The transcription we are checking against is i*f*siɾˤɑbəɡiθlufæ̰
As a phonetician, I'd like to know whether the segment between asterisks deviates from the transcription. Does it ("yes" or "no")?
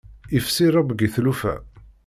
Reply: no